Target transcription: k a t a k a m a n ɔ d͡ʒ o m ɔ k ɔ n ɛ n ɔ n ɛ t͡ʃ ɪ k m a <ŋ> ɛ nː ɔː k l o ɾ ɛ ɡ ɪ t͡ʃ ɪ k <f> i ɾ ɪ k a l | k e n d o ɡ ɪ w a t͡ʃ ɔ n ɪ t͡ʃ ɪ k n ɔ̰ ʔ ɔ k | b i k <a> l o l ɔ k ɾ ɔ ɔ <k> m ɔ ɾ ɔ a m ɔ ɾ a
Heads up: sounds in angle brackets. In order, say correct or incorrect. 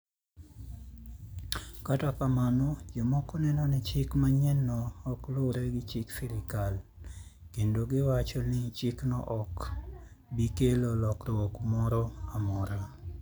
incorrect: ɲ, correct, incorrect: e, correct

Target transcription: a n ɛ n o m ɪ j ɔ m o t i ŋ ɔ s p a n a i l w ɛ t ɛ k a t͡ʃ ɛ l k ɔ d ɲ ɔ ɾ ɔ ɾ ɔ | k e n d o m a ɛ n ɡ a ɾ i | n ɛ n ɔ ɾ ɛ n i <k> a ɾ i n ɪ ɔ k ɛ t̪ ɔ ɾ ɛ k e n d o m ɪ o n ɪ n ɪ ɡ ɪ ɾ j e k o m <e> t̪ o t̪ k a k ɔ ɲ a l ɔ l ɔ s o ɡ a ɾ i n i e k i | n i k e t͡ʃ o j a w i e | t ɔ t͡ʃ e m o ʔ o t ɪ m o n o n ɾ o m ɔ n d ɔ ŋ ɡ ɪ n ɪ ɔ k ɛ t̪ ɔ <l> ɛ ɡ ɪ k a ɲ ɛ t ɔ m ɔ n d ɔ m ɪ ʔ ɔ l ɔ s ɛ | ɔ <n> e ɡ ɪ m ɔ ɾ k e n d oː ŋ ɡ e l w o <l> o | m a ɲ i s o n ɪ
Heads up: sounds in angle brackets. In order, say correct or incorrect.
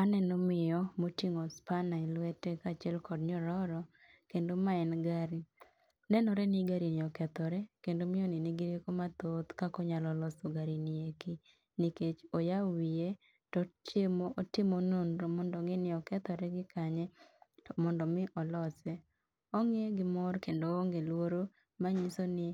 incorrect: ɡ, incorrect: a, incorrect: ɾ, incorrect: ŋ, incorrect: ɾ

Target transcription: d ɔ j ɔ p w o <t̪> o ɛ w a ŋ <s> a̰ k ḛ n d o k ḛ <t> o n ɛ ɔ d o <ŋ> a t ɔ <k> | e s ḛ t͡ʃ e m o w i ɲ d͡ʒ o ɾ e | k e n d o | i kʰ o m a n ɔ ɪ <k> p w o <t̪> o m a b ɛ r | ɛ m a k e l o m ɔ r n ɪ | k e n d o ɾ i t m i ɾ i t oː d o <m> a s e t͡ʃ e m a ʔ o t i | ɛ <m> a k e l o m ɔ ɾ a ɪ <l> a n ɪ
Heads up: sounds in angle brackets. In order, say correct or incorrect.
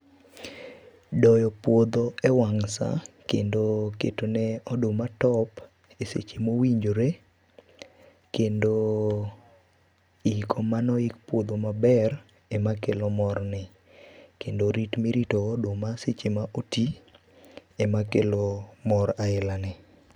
incorrect: d̪, correct, correct, incorrect: m, incorrect: p, correct, incorrect: d̪, correct, correct, correct

